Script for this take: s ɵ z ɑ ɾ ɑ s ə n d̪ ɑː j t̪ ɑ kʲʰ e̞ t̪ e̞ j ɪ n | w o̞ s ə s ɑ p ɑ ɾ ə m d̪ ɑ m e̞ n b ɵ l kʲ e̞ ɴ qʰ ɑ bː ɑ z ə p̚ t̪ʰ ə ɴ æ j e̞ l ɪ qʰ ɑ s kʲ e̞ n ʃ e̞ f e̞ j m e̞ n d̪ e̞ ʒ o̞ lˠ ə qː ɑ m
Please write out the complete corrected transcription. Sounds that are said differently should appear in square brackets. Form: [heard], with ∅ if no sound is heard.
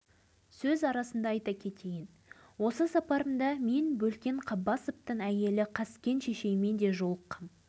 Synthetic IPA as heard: s ɵ z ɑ ɾ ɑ s ə n d̪ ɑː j t̪ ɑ kʲʰ e̞ t̪ e̞ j ɪ n | w o̞ s ə s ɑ p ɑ ɾ ə m d̪ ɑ m e̞ n b ɵ l kʲ e̞ ɴ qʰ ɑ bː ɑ [s] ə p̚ [t̪] ə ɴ æ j e̞ l ɪ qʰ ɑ s kʲ e̞ n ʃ e̞ [ʃ] e̞ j m e̞ n d̪ e̞ ʒ o̞ lˠ ə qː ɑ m